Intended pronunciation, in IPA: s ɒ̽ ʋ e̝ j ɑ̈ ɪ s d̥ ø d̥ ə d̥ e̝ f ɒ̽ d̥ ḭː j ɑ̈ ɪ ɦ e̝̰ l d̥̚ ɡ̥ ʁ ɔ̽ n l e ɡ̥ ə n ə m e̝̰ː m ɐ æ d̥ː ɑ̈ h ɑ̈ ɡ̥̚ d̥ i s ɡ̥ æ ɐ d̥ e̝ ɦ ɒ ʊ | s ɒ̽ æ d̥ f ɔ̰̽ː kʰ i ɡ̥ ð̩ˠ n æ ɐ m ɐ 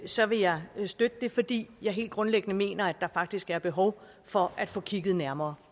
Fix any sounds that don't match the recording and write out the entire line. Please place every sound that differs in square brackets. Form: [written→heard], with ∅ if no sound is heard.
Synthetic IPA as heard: s ɒ̽ ʋ e̝ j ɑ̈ ɪ s d̥ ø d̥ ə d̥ e̝ f ɒ̽ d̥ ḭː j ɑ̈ ɪ ɦ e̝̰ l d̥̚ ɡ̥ ʁ ɔ̽ n l e ɡ̥ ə n ə m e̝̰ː [m→n] ɐ æ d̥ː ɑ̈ [h→f] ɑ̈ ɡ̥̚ d̥ i s ɡ̥ æ ɐ [d̥→b̥] e̝ ɦ ɒ ʊ | [s→f] ɒ̽ æ d̥ f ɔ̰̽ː kʰ i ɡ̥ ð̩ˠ n æ ɐ m [ɐ→ɐː]